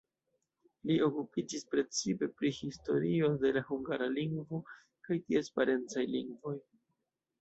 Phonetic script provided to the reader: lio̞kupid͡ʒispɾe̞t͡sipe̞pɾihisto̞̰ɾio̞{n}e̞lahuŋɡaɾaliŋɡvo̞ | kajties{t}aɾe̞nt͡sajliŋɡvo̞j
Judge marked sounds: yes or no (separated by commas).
no, no